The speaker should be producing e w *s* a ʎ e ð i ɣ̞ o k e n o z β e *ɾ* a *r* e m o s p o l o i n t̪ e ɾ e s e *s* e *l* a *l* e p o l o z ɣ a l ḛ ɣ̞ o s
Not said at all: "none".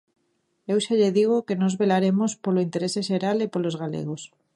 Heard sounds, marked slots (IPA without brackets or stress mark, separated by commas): ʃ, l, ɾ, ʃ, ɾ, l